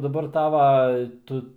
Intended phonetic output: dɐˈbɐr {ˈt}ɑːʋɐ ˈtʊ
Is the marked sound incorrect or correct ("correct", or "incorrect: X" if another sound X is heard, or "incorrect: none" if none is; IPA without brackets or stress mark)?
correct